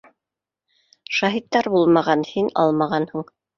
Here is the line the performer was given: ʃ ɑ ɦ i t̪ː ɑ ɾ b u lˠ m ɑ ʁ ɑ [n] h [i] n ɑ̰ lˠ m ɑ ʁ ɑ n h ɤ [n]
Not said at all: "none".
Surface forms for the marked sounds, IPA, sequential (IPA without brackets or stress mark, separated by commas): n, i, ɴ